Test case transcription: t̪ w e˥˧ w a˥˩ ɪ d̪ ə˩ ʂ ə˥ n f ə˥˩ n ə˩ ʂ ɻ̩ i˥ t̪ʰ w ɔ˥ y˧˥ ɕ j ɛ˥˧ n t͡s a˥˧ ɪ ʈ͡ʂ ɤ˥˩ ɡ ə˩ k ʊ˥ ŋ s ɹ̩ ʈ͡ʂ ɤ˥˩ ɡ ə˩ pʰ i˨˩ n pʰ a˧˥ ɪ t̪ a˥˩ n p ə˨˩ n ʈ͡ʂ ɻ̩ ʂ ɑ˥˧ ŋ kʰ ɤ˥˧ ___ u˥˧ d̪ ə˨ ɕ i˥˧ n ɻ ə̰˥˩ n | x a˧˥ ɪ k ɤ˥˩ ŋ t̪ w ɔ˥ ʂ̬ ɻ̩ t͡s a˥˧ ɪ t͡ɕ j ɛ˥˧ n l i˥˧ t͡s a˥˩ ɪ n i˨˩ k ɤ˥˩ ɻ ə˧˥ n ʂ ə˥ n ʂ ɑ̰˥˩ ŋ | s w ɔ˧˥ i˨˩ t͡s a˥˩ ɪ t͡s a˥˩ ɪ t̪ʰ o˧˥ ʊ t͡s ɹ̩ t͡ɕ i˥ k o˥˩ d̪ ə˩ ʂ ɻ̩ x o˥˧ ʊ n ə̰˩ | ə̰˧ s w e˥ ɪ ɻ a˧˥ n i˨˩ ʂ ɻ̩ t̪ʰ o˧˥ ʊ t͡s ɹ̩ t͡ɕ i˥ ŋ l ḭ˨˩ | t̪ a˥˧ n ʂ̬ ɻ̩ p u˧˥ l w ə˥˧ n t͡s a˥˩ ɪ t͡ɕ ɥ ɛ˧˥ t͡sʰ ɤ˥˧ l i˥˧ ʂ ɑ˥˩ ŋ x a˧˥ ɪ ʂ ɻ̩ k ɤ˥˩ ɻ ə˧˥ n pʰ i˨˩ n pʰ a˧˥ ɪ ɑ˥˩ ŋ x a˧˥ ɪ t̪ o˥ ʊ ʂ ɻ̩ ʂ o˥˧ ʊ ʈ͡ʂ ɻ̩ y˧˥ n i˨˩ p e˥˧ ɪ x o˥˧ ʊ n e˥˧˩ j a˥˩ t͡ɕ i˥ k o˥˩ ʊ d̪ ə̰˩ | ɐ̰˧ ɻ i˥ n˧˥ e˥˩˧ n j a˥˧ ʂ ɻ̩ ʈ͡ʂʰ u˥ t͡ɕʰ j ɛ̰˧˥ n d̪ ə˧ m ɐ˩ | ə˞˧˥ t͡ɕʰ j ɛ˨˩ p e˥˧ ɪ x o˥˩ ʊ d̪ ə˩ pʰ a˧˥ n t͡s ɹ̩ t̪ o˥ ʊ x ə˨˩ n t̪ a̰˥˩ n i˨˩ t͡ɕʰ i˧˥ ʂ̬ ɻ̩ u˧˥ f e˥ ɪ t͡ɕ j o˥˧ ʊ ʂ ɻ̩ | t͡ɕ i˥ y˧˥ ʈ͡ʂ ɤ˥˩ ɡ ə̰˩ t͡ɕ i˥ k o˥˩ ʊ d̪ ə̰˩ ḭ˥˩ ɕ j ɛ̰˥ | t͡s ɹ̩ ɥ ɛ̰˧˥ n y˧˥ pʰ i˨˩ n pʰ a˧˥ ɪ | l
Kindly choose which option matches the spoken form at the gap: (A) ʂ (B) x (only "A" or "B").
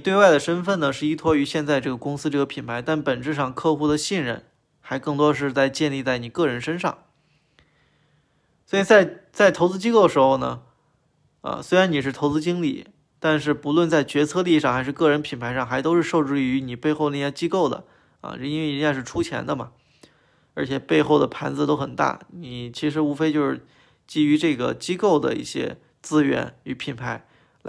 B